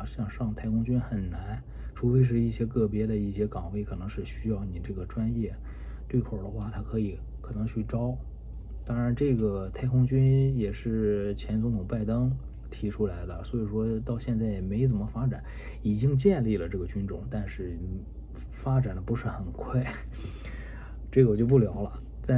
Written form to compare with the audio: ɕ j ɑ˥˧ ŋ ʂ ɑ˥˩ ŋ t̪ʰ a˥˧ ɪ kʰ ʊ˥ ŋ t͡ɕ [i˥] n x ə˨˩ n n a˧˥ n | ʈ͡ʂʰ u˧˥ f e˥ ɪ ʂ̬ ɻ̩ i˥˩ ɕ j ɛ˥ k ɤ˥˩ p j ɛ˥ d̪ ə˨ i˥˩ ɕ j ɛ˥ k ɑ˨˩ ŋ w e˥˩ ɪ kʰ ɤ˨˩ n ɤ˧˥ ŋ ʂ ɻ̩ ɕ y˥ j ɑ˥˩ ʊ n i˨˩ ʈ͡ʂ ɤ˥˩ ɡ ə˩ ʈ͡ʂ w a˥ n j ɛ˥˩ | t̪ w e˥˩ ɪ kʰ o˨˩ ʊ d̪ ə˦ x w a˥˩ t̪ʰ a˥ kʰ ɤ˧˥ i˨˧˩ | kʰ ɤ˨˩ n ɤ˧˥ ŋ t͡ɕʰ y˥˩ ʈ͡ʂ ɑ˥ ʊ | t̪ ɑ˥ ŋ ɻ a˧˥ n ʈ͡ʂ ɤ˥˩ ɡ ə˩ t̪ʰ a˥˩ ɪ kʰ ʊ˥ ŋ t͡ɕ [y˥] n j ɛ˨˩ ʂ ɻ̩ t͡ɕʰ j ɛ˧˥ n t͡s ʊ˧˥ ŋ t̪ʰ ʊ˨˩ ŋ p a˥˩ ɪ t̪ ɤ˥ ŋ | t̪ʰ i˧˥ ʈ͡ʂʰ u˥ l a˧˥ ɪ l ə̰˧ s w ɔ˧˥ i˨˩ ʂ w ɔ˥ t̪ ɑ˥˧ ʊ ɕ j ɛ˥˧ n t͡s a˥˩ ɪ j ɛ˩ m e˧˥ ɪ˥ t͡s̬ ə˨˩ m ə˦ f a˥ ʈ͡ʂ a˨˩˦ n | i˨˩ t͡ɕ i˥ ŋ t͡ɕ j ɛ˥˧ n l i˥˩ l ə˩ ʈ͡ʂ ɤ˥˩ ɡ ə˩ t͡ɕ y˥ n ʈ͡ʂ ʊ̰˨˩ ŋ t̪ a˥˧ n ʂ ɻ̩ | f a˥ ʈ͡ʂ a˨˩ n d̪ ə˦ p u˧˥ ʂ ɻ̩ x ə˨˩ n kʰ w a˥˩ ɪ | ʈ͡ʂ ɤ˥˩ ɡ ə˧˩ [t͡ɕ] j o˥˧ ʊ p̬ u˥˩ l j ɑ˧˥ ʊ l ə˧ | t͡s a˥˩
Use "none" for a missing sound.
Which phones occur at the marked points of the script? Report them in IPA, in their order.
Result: y˥, y˥, t͡ɕ

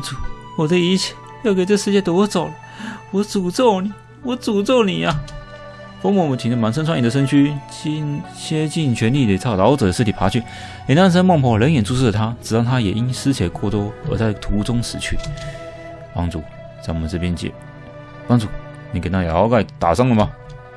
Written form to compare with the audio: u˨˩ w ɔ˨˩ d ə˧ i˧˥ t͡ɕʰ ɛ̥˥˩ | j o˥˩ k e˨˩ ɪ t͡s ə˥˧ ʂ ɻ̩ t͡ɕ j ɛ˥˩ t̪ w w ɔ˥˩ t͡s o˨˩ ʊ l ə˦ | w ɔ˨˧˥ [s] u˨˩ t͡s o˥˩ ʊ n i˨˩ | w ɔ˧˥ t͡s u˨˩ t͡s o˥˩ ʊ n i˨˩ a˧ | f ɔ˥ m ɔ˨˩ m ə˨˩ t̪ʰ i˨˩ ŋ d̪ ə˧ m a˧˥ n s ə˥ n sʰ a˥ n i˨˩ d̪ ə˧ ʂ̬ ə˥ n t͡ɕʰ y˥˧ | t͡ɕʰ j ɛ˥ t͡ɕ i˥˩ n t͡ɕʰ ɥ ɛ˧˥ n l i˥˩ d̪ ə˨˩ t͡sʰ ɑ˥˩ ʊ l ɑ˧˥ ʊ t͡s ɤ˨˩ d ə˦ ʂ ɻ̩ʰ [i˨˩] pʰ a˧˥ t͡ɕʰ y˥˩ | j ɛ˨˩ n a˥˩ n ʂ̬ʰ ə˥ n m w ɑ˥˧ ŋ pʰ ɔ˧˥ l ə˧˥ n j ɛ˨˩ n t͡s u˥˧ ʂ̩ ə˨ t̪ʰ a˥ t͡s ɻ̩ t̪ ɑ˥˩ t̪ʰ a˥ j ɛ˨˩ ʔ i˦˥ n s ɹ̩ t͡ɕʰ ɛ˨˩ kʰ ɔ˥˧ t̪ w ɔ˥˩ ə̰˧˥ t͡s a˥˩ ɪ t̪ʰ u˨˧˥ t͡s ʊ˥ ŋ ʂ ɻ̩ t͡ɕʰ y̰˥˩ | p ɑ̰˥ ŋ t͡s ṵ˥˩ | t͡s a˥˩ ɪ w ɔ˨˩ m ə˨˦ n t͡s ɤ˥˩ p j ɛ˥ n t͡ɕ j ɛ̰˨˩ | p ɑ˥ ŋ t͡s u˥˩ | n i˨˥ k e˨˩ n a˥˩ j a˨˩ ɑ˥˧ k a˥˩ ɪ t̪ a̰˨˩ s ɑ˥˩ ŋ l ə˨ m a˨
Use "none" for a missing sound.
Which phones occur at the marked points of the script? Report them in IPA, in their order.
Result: t͡s, i˨˩

